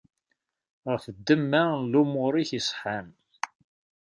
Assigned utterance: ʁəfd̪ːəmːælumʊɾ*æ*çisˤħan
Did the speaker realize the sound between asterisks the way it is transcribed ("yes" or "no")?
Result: no